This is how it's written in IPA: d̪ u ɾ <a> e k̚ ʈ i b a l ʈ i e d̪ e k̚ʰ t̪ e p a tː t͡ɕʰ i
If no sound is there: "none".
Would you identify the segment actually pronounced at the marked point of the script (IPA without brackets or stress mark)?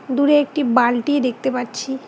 e